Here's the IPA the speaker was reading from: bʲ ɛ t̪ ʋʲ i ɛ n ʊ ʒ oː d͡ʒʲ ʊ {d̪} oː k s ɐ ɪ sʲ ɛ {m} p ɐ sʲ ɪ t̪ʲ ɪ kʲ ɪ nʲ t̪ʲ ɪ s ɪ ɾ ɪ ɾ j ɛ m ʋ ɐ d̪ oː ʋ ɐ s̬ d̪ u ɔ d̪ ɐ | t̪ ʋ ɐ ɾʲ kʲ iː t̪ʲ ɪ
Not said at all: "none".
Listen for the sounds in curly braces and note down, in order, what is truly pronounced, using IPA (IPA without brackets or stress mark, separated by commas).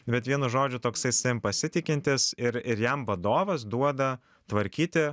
t̪, m